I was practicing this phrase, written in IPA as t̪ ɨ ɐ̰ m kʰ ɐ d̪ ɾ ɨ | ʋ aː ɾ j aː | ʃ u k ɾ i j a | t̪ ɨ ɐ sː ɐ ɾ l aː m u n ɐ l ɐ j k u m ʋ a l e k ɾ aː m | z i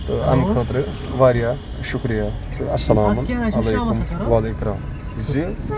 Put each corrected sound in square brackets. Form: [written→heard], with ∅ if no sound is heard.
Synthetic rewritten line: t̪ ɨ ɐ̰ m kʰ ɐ [d̪→t̪] ɾ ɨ | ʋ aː ɾ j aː | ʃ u k ɾ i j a | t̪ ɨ ɐ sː ɐ [ɾ→∅] l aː m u n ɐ l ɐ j k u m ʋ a l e k ɾ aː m | z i